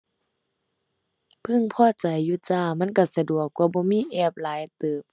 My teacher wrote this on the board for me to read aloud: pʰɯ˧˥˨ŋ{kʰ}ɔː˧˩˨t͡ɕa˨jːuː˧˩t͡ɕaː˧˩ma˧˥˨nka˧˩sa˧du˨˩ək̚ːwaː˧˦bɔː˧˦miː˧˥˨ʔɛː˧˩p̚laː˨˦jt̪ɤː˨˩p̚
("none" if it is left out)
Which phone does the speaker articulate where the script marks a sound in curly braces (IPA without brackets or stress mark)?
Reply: pʰ